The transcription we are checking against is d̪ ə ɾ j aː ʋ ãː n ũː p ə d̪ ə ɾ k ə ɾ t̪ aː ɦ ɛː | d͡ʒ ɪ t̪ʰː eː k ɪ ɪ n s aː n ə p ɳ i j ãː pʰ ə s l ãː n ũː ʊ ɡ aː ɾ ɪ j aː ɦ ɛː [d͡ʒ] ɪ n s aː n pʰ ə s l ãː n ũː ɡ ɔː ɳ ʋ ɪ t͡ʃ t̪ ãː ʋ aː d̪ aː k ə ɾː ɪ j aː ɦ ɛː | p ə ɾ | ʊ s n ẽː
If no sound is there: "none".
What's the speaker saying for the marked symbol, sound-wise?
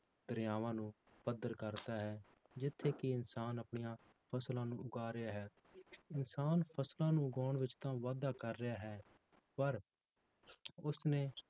none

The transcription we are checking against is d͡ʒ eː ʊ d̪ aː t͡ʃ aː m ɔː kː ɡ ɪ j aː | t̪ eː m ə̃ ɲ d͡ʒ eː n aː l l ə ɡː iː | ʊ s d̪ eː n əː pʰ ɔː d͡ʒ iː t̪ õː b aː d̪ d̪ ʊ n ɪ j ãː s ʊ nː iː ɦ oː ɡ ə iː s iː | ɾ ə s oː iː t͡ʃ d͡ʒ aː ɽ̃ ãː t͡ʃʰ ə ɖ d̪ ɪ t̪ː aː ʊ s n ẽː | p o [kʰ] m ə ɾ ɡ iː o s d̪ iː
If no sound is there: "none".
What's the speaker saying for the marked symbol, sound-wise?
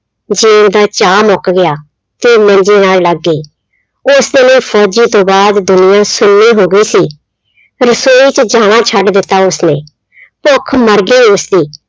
kʰ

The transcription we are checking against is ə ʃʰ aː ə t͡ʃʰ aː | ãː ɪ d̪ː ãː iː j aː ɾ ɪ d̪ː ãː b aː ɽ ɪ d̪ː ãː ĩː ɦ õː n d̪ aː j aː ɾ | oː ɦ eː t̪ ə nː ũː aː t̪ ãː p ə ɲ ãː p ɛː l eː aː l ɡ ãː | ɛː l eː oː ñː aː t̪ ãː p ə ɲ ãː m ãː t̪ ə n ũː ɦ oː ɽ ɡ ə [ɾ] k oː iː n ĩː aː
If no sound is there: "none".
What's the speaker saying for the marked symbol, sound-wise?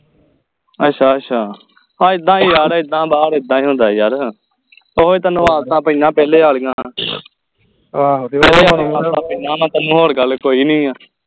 l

